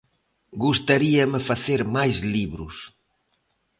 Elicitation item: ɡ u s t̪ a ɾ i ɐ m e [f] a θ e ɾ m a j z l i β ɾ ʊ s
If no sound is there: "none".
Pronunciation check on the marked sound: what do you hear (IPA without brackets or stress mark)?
f